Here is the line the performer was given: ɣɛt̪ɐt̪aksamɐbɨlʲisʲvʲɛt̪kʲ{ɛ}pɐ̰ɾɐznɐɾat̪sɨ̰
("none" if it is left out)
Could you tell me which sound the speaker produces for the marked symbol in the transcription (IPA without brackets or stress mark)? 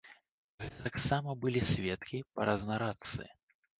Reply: i